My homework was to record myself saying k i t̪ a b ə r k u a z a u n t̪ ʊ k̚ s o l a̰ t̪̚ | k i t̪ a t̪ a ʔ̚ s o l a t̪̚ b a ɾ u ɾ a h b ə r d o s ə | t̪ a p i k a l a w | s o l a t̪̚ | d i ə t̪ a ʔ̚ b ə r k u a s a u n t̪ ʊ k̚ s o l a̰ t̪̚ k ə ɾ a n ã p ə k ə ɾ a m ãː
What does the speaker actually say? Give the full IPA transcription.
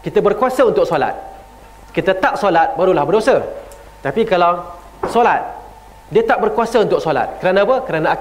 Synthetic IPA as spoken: k i t̪ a b ə r k u a s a u n t̪ ʊ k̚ s o l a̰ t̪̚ | k i t̪ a t̪ a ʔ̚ s o l a t̪̚ b a ɾ u l a h b ə r d o s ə | t̪ a p i k a l a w | s o l a t̪̚ | d i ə t̪ a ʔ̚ b ə r k u a s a u n t̪ ʊ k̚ s o l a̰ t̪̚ k ə ɾ a n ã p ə k ə ɾ a n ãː